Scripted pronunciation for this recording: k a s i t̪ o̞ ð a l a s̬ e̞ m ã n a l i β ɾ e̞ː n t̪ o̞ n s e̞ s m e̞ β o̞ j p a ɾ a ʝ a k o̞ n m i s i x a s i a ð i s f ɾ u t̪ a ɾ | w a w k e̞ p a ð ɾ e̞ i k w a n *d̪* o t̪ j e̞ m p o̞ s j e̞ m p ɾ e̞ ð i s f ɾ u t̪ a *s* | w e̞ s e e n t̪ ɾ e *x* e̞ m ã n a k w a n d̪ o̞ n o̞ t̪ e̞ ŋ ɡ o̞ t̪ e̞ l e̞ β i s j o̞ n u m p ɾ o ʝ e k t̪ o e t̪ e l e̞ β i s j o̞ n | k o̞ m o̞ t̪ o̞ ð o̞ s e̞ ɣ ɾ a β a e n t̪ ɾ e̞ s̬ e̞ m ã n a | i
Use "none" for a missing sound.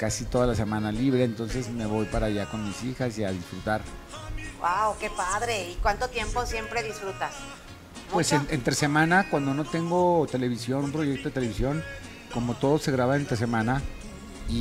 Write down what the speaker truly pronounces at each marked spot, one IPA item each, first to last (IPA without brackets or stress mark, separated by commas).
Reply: t̪, s, s